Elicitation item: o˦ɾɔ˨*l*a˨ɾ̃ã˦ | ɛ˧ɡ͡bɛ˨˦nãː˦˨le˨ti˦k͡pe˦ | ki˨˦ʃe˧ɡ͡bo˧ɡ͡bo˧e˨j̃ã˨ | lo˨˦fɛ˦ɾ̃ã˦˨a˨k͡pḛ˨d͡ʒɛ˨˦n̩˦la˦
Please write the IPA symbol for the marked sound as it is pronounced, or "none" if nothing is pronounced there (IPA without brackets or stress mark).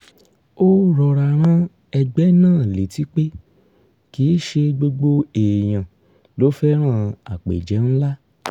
ɾ